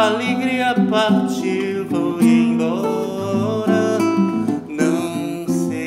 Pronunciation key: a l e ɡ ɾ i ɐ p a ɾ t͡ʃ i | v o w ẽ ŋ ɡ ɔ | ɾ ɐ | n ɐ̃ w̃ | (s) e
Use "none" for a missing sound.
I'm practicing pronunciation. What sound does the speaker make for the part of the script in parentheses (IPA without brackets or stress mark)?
s